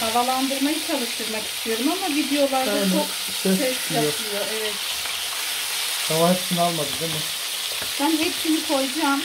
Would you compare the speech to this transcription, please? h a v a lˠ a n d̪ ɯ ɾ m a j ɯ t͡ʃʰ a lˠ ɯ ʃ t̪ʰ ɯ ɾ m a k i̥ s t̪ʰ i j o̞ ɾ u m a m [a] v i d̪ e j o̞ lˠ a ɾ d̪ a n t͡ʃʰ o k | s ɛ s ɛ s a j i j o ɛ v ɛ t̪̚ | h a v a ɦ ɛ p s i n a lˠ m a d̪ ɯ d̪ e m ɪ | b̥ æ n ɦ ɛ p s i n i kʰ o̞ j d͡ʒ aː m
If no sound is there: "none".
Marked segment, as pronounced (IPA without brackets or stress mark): a